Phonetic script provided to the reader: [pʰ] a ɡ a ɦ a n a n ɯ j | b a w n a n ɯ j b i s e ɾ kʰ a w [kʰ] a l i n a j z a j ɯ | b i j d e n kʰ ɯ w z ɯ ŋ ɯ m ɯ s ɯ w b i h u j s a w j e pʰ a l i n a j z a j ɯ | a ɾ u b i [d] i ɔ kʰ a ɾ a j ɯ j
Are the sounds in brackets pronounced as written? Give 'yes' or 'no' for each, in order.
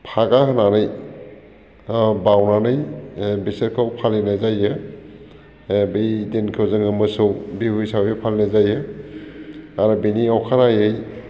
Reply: yes, no, no

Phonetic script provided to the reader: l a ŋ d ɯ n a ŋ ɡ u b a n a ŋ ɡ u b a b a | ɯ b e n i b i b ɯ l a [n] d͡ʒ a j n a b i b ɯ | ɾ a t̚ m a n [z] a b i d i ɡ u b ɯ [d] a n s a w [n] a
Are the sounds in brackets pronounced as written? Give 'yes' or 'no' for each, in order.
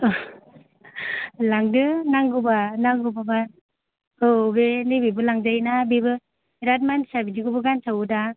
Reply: no, no, no, no

